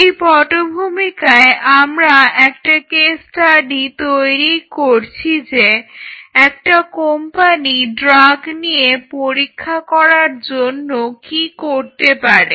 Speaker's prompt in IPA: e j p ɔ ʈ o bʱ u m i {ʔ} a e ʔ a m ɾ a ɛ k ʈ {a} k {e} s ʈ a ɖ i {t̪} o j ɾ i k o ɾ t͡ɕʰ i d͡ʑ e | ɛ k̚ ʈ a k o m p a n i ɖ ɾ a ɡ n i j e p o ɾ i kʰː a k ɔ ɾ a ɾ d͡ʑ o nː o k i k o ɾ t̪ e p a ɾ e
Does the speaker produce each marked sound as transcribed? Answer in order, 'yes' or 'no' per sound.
no, yes, yes, yes

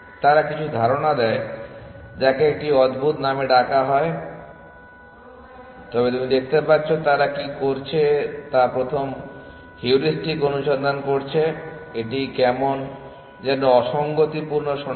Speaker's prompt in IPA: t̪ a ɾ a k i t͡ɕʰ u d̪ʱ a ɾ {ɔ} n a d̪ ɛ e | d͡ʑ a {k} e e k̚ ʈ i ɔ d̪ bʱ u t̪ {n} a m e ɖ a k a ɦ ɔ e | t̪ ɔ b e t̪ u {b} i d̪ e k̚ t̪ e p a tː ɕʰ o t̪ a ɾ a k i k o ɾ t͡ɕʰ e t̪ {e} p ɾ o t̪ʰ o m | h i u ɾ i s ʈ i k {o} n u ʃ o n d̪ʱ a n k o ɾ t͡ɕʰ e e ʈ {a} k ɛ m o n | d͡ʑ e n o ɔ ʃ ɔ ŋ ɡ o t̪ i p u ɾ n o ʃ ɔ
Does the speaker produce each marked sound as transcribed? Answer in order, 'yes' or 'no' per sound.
no, yes, yes, no, no, yes, no

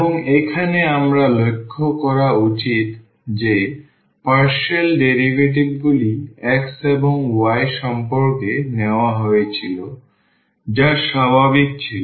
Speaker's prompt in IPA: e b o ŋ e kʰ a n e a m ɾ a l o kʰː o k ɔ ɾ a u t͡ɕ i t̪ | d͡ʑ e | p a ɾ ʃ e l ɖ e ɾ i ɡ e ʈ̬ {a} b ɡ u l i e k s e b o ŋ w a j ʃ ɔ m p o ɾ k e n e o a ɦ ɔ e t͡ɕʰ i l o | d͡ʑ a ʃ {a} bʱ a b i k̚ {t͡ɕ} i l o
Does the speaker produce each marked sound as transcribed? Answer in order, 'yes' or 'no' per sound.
no, yes, no

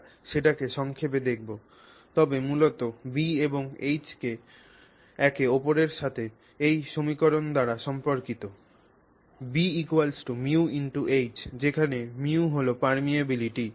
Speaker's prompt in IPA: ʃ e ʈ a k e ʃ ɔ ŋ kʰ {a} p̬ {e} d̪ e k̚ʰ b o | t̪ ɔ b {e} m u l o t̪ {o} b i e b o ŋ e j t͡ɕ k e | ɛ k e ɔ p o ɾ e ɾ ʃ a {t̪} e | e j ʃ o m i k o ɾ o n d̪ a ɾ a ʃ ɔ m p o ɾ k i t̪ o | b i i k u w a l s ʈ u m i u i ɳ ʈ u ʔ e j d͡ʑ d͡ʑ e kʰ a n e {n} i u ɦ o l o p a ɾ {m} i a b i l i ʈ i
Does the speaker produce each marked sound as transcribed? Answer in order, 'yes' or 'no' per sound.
no, yes, yes, yes, no, no, yes

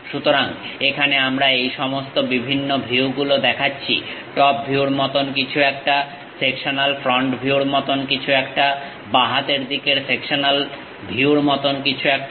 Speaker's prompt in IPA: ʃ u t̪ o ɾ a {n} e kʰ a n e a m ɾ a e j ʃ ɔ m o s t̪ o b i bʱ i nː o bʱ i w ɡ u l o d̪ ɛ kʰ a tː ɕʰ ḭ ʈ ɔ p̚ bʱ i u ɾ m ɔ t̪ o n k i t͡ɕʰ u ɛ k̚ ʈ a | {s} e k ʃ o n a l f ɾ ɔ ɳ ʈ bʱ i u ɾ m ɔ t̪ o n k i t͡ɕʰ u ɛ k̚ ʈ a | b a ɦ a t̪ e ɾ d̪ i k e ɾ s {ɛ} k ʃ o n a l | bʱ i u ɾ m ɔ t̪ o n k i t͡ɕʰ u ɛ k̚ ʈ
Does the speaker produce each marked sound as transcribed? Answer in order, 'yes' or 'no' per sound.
no, yes, no

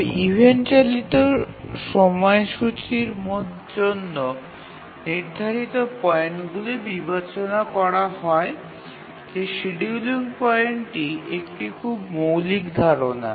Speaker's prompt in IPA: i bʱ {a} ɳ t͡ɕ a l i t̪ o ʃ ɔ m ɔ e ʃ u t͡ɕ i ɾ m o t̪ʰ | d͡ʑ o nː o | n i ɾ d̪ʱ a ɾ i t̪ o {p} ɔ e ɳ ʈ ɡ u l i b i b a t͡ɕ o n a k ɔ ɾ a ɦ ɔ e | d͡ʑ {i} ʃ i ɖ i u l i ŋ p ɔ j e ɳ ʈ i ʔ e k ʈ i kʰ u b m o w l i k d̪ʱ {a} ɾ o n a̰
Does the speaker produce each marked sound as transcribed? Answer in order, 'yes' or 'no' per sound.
no, yes, no, yes

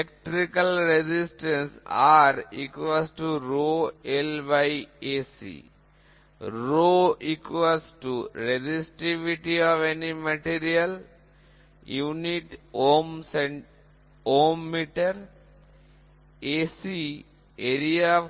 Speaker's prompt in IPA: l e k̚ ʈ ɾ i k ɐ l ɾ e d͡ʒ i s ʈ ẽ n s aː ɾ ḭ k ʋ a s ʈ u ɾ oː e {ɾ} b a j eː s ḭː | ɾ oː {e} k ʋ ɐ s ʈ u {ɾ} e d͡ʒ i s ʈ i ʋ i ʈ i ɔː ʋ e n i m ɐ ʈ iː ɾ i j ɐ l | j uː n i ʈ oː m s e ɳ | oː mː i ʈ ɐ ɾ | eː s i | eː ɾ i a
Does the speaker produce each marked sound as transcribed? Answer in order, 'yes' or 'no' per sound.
no, no, yes

